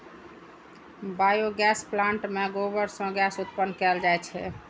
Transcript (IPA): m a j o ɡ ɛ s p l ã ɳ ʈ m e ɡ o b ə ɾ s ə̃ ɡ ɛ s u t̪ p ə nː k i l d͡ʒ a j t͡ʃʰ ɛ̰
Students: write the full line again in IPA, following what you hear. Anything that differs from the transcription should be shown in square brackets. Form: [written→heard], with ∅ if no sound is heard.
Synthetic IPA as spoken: [m→b] a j o ɡ ɛ s p l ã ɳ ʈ m e ɡ o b ə ɾ s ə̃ ɡ ɛ s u t̪ p ə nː k [i→ɛ] l d͡ʒ a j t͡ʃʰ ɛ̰